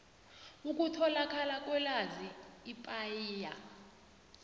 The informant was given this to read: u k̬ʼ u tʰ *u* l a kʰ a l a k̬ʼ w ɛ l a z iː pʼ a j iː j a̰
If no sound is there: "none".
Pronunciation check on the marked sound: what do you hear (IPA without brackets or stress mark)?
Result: ɔ